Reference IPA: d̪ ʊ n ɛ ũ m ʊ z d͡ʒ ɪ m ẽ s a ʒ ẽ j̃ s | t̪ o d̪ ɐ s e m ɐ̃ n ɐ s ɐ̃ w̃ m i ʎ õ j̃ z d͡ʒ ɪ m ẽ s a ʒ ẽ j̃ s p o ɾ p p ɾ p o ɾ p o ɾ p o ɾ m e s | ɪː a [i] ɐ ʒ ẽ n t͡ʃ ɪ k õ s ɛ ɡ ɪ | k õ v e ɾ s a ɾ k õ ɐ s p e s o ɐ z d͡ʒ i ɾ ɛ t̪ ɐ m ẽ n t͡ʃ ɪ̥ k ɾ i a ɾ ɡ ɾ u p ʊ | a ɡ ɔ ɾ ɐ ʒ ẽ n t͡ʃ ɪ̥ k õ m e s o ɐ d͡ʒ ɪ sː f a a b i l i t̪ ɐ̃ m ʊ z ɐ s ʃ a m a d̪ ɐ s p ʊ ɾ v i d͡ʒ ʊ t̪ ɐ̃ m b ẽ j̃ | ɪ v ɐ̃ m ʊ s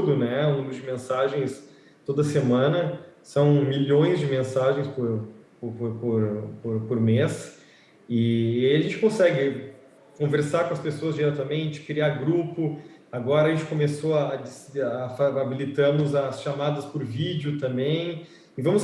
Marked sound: correct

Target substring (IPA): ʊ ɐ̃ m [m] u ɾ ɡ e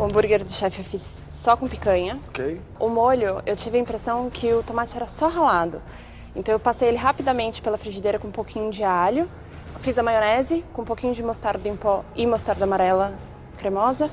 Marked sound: incorrect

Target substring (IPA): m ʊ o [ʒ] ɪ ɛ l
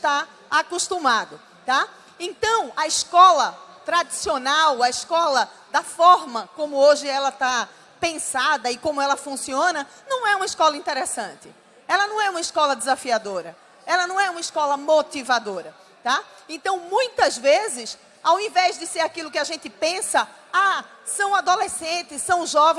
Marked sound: correct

